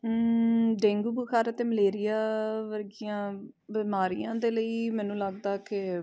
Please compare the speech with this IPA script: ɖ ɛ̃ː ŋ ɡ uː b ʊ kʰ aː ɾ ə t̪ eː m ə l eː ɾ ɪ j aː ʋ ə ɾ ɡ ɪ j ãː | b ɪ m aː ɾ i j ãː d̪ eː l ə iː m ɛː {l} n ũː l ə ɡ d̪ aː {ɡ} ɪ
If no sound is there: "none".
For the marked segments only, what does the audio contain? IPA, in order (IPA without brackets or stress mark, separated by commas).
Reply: none, k